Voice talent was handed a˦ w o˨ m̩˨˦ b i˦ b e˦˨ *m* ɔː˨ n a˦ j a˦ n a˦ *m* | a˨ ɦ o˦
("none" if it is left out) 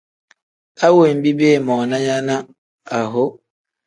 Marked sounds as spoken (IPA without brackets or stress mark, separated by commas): m, none